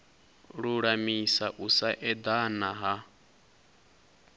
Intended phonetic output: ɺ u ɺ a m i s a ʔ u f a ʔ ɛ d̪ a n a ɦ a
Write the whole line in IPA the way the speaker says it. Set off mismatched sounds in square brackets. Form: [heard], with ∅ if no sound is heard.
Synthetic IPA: ɺ u ɺ a m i s a ʔ u [s] a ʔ ɛ d̪ a n a ɦ a